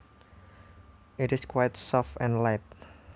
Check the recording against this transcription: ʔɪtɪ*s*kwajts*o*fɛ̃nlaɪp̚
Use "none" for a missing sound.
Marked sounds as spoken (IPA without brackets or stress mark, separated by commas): s, ɔ